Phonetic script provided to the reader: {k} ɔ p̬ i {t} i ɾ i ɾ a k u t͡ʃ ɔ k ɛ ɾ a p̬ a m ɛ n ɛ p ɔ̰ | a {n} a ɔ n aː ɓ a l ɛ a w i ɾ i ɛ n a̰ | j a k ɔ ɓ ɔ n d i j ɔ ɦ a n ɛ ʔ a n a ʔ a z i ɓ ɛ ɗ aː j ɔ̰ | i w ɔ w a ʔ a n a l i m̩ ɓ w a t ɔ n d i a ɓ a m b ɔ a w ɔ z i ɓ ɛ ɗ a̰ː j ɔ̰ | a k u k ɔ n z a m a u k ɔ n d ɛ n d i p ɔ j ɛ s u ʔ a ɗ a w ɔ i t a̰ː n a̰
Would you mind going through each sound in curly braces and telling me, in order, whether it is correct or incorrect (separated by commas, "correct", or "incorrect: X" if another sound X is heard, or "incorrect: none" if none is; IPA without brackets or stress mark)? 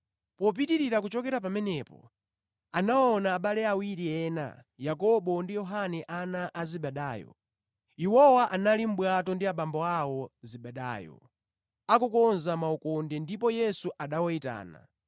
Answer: incorrect: p, correct, correct